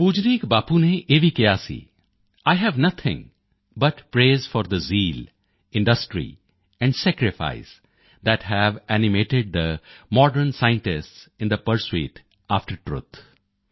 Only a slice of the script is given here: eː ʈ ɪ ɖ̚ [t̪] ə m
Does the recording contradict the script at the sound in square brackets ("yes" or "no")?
yes